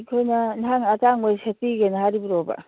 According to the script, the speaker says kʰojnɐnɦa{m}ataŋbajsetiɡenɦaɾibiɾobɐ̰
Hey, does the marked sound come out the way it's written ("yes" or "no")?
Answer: no